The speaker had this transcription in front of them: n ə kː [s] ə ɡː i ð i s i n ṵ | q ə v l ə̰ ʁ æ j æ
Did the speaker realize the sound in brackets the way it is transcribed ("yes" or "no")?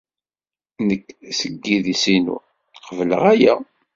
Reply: yes